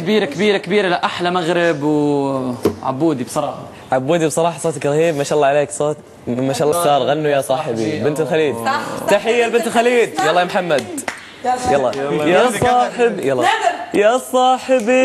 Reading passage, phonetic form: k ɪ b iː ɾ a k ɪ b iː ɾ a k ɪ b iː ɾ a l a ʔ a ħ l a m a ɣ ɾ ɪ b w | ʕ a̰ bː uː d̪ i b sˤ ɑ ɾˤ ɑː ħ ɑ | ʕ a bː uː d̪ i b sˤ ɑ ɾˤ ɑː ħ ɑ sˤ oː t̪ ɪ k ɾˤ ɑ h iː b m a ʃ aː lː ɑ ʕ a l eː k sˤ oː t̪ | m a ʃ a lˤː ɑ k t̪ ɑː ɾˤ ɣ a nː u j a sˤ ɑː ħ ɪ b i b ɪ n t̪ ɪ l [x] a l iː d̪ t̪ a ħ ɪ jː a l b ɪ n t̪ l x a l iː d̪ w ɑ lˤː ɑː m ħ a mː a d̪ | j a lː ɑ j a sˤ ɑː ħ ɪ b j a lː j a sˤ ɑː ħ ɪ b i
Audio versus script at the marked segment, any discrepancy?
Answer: no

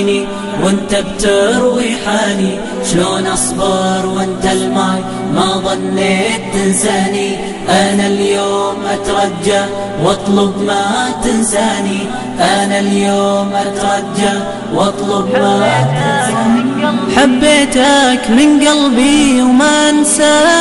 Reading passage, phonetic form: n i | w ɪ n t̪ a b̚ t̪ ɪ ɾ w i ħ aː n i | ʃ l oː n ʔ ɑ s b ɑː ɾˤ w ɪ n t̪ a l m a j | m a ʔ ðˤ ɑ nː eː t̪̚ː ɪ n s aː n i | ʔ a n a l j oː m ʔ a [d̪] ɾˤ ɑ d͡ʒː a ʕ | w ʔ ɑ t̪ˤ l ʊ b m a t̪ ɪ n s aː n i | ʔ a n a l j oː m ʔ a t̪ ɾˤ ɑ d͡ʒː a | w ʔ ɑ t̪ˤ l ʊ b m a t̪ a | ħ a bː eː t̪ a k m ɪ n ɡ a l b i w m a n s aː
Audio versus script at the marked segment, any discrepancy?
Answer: yes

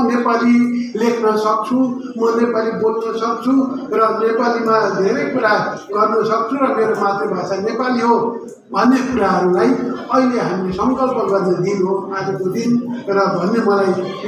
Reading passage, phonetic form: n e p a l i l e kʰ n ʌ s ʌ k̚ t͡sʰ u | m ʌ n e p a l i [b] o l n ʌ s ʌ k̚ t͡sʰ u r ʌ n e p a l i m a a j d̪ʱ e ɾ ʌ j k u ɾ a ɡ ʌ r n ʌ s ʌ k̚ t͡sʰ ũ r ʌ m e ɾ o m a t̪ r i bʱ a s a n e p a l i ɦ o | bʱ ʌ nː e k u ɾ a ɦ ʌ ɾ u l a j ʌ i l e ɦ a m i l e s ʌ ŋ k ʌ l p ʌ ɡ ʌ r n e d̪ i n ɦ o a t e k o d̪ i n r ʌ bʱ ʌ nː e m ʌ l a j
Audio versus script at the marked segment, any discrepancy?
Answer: no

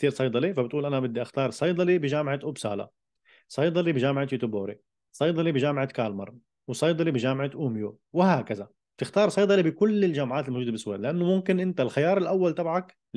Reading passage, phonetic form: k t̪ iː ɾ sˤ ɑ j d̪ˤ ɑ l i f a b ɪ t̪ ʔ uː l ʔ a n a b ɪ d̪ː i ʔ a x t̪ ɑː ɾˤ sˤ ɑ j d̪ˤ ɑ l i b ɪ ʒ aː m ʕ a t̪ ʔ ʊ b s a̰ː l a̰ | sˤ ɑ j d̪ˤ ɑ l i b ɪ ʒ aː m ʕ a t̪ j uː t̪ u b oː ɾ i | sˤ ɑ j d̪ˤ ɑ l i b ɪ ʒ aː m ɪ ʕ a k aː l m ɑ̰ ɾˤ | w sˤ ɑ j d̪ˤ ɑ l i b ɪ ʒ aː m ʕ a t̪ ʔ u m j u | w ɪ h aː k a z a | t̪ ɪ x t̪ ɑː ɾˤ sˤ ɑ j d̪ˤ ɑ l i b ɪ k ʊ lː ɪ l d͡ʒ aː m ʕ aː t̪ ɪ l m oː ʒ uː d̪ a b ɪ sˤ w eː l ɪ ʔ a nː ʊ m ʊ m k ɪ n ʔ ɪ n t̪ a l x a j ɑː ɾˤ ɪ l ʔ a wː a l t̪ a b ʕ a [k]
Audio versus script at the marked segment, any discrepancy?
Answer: no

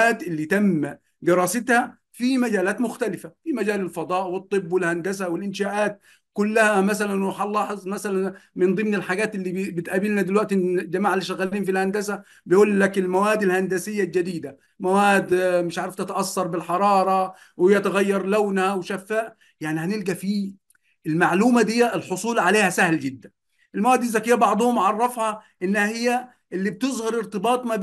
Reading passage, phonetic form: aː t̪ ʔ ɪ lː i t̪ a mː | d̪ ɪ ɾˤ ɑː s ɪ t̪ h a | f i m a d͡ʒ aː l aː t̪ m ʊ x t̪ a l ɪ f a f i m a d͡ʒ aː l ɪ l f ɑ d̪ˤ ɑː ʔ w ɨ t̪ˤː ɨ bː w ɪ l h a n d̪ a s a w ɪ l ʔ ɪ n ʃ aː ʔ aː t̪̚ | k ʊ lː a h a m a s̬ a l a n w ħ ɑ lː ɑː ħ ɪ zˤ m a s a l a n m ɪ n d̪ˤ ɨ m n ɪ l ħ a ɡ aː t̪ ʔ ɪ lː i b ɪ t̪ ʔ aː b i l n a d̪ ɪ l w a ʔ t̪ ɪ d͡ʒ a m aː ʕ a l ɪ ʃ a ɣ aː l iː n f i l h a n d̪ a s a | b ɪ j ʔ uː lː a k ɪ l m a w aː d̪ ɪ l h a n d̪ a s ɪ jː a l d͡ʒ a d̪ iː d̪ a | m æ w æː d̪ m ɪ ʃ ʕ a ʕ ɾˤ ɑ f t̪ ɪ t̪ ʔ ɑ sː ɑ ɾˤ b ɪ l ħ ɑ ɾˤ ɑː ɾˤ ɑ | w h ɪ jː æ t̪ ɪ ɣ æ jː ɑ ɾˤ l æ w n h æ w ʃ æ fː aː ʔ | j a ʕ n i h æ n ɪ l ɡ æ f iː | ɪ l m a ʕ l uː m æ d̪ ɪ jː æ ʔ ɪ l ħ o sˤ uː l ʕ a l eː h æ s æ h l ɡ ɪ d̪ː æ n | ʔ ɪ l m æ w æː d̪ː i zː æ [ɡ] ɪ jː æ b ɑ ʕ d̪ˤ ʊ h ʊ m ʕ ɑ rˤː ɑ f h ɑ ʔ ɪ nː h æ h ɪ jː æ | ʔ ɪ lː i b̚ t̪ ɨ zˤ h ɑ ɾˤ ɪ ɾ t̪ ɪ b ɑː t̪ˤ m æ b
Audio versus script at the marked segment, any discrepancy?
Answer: yes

